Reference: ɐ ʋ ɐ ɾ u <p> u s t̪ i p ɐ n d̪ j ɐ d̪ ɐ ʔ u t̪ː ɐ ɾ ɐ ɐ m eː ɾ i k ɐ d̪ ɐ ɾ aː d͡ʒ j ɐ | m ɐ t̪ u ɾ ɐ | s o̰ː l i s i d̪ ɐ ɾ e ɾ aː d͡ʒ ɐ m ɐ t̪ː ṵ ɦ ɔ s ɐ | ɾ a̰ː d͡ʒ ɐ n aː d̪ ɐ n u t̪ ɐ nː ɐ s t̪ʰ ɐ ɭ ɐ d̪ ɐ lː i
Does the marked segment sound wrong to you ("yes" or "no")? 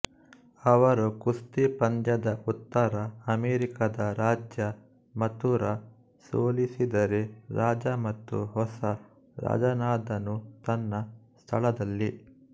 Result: yes